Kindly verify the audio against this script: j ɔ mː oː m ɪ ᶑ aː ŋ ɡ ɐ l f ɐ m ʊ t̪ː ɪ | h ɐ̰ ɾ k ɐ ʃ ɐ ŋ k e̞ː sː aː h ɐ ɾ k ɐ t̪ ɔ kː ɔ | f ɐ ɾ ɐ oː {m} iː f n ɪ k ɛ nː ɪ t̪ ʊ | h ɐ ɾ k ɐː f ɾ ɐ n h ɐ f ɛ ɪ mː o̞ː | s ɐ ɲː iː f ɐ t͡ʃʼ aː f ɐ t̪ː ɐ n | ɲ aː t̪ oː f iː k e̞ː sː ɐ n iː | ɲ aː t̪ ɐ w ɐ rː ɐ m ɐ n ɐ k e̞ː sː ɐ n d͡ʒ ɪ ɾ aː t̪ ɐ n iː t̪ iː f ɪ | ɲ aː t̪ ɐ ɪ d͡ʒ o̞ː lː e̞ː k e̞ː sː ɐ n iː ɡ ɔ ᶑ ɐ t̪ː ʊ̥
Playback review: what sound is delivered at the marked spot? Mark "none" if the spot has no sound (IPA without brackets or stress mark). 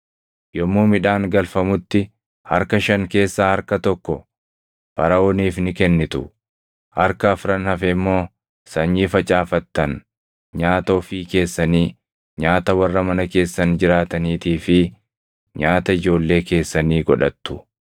n